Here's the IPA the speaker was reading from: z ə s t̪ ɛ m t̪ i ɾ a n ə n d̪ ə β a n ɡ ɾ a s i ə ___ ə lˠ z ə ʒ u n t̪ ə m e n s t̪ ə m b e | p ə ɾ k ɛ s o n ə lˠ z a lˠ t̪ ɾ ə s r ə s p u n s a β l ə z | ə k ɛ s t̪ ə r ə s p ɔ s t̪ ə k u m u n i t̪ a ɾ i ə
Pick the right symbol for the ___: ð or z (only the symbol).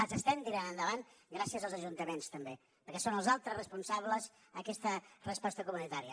z